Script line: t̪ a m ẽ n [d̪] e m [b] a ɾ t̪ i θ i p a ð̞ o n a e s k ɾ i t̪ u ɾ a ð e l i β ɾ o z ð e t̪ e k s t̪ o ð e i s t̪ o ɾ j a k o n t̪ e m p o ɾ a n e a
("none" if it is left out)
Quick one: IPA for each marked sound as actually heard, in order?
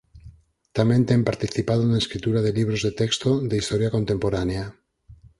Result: t̪, p

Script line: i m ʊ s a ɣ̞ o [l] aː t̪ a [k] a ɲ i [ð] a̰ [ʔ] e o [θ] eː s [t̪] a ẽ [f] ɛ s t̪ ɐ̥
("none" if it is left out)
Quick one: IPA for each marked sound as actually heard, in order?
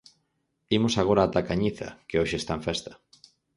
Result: ɾ, k, θ, k, ʃ, t̪, f

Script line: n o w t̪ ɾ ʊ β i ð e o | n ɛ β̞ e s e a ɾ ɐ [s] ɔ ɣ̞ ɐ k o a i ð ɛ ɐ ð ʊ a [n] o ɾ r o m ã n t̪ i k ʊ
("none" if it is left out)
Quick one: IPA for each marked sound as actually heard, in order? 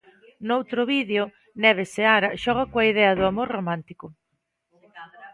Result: ʃ, m

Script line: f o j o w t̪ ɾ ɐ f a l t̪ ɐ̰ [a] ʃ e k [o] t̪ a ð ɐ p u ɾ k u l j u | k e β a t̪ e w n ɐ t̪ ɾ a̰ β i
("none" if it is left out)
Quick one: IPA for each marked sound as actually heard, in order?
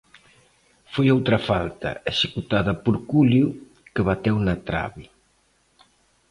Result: e, u

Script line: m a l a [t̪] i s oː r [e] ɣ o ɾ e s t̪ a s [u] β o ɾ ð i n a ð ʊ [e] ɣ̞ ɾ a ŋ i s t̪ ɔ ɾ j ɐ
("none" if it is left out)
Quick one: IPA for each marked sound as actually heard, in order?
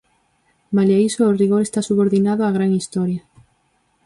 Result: none, i, u, a

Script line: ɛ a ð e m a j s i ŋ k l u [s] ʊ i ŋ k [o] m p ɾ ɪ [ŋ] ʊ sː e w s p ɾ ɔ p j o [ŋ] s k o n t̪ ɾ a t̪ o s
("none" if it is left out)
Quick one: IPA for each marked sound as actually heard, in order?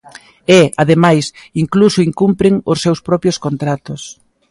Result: s, u, ŋ, none

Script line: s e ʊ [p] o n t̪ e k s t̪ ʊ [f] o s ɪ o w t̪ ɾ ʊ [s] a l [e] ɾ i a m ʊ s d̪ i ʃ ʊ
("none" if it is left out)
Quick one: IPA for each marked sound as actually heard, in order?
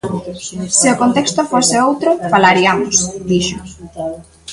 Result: k, f, f, a

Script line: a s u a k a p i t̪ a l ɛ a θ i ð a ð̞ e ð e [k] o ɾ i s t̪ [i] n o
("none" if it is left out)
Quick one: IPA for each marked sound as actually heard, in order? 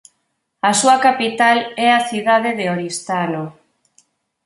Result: none, a

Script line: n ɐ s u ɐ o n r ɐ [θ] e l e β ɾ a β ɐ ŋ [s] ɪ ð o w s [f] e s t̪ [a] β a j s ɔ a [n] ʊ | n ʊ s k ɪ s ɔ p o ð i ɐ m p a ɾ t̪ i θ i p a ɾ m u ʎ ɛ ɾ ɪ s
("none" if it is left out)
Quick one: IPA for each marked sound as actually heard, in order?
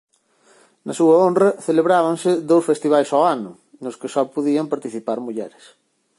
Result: θ, s, f, i, n

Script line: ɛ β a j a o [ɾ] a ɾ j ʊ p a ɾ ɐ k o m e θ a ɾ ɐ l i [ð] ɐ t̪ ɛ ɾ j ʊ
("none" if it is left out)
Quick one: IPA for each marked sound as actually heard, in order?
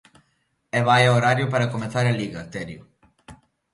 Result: ɾ, ɣ

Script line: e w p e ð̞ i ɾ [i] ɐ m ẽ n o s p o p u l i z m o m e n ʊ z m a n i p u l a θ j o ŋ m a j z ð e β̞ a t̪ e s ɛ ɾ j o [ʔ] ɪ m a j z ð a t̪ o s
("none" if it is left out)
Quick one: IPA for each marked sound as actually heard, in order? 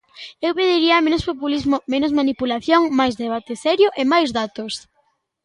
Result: i, ʔ

